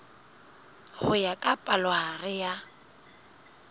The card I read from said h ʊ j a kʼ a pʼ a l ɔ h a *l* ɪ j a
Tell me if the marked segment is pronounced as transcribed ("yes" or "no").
no